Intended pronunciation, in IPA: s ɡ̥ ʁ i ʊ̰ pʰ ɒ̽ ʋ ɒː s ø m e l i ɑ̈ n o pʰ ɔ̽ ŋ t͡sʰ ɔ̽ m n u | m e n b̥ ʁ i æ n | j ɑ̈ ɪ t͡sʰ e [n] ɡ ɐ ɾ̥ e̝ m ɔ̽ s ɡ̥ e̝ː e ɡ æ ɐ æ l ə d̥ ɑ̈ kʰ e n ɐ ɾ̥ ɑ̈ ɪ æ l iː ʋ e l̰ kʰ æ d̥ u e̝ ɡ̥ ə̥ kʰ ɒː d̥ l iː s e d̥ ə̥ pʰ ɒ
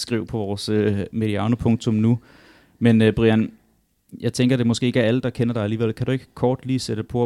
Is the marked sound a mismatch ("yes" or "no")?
yes